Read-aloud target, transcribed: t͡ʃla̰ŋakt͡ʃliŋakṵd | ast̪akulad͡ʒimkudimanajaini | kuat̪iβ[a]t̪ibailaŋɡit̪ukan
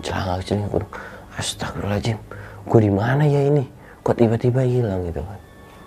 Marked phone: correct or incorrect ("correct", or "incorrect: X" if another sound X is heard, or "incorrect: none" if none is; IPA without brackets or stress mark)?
correct